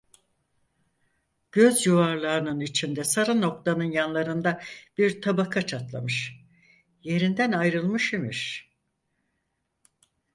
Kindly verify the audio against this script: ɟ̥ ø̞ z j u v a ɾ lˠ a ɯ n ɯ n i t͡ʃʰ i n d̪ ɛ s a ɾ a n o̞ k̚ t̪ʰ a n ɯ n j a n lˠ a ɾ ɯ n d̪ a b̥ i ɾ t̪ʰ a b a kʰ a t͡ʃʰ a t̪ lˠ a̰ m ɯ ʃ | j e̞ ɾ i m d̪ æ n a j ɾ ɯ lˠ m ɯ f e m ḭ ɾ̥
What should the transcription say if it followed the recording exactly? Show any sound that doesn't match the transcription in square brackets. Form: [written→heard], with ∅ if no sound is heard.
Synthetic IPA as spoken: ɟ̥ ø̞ z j u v a ɾ lˠ a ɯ n ɯ n i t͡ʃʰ i n d̪ ɛ s a ɾ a n o̞ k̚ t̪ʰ a n ɯ n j a n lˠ a ɾ ɯ n d̪ a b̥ i ɾ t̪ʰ a b a kʰ a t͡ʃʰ a t̪ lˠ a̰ m ɯ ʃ | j e̞ ɾ i [m→n] d̪ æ n a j ɾ ɯ lˠ m ɯ [f→ʃ] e m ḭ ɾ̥